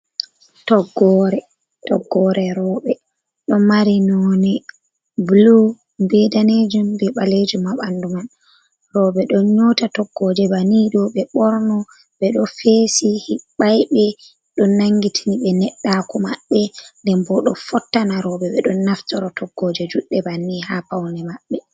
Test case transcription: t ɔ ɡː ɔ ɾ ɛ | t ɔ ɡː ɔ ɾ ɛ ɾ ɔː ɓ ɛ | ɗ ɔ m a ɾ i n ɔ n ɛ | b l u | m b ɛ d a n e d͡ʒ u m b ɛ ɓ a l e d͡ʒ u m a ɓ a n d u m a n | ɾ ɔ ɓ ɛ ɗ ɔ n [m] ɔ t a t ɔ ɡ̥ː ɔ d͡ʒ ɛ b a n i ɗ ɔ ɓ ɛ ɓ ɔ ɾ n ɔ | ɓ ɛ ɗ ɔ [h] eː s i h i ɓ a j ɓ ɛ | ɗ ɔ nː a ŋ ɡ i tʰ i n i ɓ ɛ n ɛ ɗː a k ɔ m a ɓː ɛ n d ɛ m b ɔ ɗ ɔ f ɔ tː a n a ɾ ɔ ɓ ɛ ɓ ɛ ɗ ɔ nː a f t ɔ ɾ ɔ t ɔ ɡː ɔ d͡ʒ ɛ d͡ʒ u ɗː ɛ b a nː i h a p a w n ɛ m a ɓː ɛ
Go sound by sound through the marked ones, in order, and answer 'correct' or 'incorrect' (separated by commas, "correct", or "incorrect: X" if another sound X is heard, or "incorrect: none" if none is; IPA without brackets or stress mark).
incorrect: ɲ, incorrect: f